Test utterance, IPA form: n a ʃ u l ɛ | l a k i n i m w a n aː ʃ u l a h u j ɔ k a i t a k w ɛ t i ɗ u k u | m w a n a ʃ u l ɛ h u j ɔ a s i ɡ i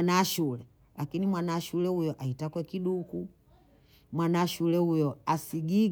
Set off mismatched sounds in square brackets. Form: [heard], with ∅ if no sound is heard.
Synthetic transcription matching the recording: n a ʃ u l ɛ | l a k i n i m w a n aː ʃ u l [ɛ] h u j ɔ [ʔ] a i t a k w ɛ [k] i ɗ u k u | m w a n a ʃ u l ɛ h u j ɔ a s i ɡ i